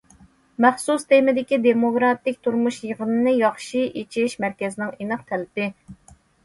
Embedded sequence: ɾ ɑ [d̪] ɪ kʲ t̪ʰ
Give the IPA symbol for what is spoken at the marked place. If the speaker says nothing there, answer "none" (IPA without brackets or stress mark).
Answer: t̪